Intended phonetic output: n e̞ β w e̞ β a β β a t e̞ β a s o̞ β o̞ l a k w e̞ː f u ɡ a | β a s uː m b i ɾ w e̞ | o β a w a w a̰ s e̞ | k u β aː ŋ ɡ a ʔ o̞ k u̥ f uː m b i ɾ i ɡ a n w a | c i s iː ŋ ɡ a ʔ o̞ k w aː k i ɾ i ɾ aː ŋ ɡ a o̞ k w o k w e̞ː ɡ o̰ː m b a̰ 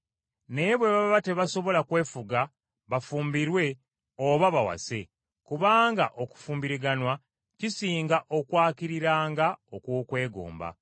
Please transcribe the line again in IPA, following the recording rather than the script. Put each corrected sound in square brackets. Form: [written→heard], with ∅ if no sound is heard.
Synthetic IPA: n e̞ β w e̞ β a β β a t e̞ β a s o̞ β o̞ l a k w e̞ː f u ɡ a | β a [s→f] uː m b i ɾ w e̞ | o β a [w→β] a w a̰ s e̞ | k u β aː ŋ ɡ a ʔ o̞ k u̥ f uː m b i ɾ i ɡ a n w a | c i s iː ŋ ɡ a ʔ o̞ k w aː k i ɾ i ɾ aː ŋ ɡ a o̞ k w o k w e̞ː ɡ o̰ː m b a̰